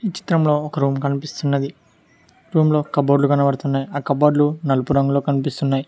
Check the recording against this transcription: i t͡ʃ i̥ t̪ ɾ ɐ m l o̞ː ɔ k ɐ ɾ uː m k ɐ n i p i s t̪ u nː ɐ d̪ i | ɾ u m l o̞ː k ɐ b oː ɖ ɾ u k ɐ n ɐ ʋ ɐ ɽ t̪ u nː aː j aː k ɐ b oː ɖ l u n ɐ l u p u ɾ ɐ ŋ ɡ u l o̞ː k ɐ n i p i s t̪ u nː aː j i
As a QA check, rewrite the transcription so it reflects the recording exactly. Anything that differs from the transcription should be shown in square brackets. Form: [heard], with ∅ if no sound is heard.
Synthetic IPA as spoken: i t͡ʃ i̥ t̪ ɾ ɐ m l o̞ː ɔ k ɐ ɾ uː m k ɐ n i p i s t̪ u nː ɐ d̪ i | ɾ [uː] m l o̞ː k ɐ b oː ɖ [l] u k ɐ n ɐ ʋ ɐ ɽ t̪ u nː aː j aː k ɐ b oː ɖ l u n ɐ l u p u ɾ ɐ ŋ ɡ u l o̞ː k ɐ n i p i s t̪ u nː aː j i